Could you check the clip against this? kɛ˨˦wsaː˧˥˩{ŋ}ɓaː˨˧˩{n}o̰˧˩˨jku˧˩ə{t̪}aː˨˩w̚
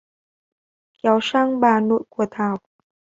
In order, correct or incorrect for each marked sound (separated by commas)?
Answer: correct, correct, incorrect